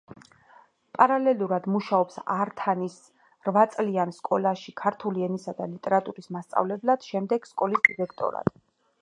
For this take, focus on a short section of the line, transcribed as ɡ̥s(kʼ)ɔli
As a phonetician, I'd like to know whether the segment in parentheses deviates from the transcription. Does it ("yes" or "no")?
no